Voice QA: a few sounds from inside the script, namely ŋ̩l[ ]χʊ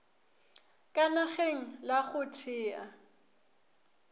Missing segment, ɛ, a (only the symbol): a